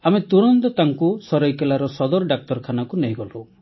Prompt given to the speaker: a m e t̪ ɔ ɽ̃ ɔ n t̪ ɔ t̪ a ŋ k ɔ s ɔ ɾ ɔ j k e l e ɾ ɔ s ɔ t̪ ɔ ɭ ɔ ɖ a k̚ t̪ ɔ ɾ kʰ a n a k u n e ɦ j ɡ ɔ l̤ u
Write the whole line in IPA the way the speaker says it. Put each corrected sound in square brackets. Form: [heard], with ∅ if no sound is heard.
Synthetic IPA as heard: a m e t̪ [u] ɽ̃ ɔ n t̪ ɔ t̪ a ŋ k [u] s ɔ ɾ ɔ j k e l [a] ɾ ɔ s ɔ [d̪] ɔ [ɾ] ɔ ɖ a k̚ t̪ ɔ ɾ kʰ a n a k u n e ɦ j ɡ ɔ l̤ u

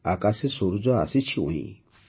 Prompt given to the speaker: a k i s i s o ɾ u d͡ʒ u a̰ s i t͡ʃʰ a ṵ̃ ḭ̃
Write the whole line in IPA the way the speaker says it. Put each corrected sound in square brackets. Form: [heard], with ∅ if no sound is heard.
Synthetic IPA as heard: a k [a] s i s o ɾ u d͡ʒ [ɔ] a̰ s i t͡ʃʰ [i] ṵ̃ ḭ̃

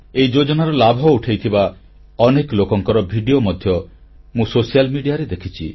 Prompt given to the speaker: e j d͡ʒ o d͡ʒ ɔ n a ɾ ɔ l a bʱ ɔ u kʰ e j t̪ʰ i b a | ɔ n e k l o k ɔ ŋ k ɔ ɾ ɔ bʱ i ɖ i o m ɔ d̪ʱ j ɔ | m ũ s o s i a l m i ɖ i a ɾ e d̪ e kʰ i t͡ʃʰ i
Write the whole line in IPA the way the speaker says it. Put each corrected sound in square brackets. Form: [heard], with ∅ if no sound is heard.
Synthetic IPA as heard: e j d͡ʒ o d͡ʒ ɔ n a ɾ ɔ l a bʱ ɔ u [ʈʰ] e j t̪ʰ i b a | ɔ n e k l o k ɔ ŋ k ɔ ɾ ɔ bʱ i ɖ i o m ɔ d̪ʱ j ɔ | m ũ s o s i a l m i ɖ i a ɾ e d̪ e kʰ i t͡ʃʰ i

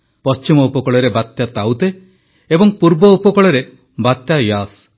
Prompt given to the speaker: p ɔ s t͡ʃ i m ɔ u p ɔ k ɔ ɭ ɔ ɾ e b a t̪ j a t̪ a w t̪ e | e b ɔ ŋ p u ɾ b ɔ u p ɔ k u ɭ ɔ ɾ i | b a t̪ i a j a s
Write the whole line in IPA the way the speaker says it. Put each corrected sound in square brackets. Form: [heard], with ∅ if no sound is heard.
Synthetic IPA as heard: p ɔ s t͡ʃ i m ɔ u p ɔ k ɔ ɭ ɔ ɾ e b a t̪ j a t̪ a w t̪ e | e b ɔ ŋ p u ɾ b ɔ u p ɔ k [ɔ] ɭ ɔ ɾ [e] | b a t̪ [j] a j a s

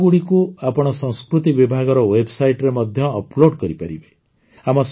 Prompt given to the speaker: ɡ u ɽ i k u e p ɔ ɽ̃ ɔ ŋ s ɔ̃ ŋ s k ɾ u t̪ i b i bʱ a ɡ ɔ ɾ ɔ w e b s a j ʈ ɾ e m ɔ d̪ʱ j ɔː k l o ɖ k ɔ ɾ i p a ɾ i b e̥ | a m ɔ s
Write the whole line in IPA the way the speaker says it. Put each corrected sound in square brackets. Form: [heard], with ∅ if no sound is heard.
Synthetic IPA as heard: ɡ u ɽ i k u [a] p ɔ ɽ̃ ɔ [∅] s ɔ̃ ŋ s k ɾ u t̪ i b i bʱ a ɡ ɔ ɾ ɔ w e b s a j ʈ ɾ e m ɔ d̪ʱ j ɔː [p] l o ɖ k ɔ ɾ i p a ɾ i b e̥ | a m ɔ s

